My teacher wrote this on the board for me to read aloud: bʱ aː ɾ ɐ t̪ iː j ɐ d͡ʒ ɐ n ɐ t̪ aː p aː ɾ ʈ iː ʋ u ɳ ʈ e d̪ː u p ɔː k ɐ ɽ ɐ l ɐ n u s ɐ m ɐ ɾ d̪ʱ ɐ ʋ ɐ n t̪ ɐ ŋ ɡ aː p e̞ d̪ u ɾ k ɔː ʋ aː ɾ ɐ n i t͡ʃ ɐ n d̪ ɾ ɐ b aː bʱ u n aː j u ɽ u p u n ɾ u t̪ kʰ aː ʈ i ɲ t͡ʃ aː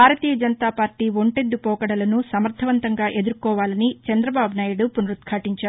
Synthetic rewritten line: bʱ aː ɾ ɐ t̪ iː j ɐ d͡ʒ ɐ n ɐ t̪ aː p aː ɾ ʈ iː ʋ o ɳ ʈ e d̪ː u p ɔː k ɐ ɽ ɐ l ɐ n u s ɐ m ɐ ɾ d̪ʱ ɐ ʋ ɐ n t̪ ɐ ŋ ɡ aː ʔ e̞ d̪ u ɾ k ɔː ʋ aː l ɐ n i t͡ʃ ɐ n d̪ ɾ ɐ b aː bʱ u n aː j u ɽ u p u n ɾ u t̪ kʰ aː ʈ i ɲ t͡ʃ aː